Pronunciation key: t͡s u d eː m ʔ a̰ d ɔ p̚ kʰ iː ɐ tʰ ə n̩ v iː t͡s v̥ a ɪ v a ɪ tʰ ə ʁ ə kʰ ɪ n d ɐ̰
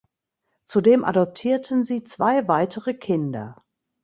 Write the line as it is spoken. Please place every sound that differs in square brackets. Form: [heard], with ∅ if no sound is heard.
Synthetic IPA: t͡s u d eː m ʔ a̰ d ɔ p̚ [tʰ] iː ɐ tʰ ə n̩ [z] iː t͡s v̥ a ɪ v a ɪ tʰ ə ʁ ə kʰ ɪ n d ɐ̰